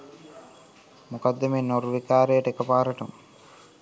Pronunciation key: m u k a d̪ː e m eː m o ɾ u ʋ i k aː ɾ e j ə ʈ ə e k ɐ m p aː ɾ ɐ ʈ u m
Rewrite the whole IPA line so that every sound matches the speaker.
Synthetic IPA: m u k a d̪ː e m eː n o ɾ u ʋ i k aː ɾ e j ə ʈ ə e k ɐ p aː ɾ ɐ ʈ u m